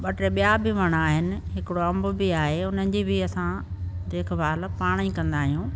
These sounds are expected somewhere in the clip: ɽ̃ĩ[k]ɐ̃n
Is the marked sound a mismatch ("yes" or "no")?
no